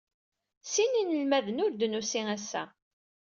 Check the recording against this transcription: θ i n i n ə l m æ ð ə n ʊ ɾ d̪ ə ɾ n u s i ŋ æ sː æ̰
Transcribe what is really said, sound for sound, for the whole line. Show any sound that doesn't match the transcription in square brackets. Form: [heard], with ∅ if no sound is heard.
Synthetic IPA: [s] i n i n ə l m æ ð ə n ʊ ɾ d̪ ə [∅] n u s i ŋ æ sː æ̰